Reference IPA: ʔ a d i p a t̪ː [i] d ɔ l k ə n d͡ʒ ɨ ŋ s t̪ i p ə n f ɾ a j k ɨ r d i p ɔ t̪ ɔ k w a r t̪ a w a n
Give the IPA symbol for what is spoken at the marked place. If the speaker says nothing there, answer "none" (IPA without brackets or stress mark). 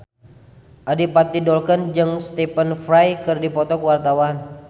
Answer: i